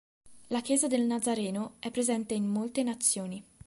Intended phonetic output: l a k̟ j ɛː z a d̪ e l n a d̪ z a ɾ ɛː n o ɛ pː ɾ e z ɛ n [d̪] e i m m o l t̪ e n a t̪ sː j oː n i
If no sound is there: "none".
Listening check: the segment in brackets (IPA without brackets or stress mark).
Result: t̪